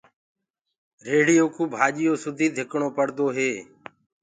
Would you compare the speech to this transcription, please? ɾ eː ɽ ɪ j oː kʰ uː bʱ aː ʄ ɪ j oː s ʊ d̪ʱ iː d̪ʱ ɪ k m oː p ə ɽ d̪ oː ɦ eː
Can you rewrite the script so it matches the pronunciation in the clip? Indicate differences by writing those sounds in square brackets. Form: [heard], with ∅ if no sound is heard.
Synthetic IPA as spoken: ɾ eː ɽ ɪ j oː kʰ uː bʱ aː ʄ ɪ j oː s ʊ d̪ʱ iː d̪ʱ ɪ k [ɳ] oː p ə ɽ d̪ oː ɦ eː